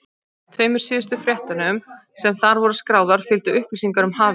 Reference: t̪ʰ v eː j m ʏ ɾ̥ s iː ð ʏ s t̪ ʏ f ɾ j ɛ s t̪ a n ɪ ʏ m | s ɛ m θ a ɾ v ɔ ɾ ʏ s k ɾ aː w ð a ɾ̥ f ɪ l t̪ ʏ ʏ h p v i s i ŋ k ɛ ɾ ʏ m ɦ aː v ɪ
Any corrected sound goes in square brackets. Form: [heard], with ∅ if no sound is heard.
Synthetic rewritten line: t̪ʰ v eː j m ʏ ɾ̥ s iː ð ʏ s t̪ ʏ f ɾ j ɛ [h] t̪ a n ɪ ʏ m | s ɛ m θ a ɾ v ɔ ɾ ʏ s k ɾ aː w ð a ɾ̥ f ɪ l t̪ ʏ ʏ h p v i s i ŋ k [a] ɾ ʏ m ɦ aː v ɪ